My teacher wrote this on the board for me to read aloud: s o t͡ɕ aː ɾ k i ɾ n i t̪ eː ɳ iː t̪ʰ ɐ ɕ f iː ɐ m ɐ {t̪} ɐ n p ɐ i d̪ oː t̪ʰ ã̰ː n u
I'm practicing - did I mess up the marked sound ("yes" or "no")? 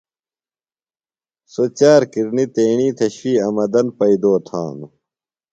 yes